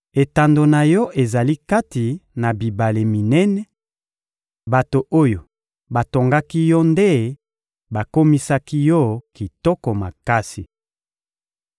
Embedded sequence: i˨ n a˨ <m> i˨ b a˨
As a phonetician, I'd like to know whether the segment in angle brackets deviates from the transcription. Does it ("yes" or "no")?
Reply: yes